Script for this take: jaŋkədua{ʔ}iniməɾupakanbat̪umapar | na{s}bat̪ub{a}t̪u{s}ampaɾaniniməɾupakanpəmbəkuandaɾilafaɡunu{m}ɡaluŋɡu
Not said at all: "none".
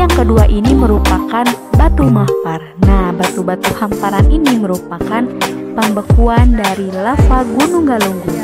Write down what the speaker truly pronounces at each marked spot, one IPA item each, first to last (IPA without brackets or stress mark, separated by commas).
ʔ, h, a, h, ŋ